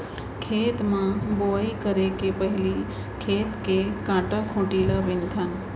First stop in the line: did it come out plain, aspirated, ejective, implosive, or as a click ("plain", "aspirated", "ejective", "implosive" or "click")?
aspirated